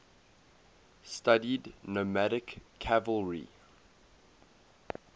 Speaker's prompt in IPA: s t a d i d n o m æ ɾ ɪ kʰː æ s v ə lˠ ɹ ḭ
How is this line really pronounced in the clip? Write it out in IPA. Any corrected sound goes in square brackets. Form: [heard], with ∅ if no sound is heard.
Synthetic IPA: s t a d i d n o m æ ɾ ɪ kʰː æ [∅] v ə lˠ ɹ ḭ